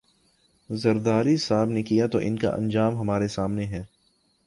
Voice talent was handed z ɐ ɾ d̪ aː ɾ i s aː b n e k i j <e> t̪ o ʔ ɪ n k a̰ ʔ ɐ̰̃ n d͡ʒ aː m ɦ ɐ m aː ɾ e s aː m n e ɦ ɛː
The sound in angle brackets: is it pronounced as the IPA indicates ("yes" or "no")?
no